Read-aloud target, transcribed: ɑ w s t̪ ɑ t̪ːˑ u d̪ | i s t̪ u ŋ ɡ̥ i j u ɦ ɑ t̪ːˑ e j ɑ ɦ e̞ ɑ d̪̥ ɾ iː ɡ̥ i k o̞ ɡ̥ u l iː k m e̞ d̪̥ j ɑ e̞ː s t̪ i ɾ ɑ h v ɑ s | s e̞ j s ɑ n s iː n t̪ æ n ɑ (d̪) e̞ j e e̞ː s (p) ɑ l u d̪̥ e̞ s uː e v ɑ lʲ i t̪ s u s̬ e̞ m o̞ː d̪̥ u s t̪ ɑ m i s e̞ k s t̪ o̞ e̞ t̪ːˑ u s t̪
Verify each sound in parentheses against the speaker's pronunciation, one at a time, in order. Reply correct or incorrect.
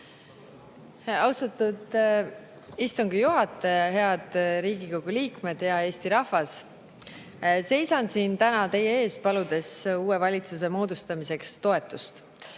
incorrect, correct

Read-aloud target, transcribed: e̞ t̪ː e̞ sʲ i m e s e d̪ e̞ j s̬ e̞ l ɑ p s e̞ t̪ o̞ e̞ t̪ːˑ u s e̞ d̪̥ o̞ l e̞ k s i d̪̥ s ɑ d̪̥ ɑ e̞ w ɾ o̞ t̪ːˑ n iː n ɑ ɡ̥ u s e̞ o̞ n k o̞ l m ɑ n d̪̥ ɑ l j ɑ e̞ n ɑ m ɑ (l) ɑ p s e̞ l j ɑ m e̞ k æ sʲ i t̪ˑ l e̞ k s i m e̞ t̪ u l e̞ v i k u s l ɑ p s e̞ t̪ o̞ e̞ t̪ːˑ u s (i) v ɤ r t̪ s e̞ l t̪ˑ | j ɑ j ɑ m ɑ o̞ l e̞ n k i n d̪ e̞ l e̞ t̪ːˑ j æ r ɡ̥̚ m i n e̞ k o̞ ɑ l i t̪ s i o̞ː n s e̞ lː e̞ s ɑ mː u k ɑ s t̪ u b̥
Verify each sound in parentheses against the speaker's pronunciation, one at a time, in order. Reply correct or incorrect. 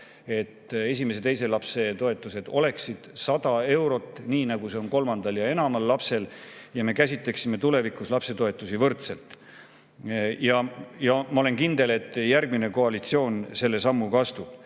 incorrect, correct

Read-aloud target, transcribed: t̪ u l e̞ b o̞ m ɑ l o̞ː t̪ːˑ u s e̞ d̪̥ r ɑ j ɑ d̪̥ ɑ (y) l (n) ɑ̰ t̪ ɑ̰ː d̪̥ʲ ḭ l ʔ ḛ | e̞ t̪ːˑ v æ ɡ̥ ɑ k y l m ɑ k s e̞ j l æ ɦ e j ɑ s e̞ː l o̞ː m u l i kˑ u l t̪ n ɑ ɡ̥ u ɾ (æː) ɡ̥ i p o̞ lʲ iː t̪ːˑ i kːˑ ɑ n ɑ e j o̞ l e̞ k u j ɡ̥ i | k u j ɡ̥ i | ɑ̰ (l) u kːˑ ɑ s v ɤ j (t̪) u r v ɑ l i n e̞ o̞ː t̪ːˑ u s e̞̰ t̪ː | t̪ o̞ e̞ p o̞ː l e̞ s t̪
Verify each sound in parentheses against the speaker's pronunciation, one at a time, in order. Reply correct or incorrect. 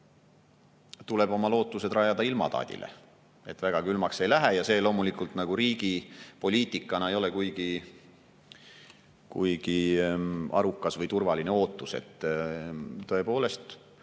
incorrect, incorrect, incorrect, incorrect, correct

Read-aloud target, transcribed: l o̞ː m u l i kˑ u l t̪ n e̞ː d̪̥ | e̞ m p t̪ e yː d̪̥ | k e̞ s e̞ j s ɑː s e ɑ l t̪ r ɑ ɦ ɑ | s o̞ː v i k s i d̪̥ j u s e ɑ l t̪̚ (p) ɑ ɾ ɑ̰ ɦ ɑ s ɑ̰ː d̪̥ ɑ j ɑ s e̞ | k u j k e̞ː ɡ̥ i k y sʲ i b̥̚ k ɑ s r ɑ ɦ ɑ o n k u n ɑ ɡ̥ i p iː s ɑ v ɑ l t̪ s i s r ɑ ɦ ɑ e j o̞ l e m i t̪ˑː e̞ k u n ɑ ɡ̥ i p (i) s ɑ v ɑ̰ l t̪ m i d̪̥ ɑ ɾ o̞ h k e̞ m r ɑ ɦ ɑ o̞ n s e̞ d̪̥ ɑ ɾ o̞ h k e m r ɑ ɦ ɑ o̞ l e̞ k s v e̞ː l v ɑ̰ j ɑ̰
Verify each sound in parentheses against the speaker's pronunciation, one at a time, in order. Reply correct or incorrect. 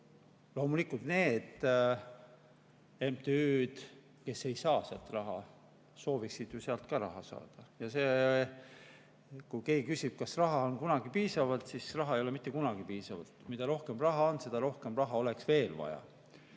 incorrect, incorrect

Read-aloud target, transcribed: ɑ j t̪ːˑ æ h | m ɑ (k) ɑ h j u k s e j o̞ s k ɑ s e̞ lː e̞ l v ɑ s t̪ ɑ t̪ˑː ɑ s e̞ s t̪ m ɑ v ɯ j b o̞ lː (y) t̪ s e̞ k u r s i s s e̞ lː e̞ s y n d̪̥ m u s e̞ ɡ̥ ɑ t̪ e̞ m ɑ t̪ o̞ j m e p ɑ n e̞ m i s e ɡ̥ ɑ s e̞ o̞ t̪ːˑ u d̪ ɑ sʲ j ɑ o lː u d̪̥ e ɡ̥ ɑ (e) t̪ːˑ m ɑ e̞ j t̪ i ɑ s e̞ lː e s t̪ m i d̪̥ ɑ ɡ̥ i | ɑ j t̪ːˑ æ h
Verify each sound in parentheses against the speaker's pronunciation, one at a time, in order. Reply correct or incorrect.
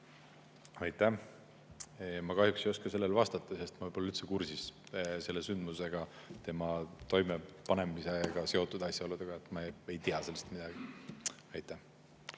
correct, correct, correct

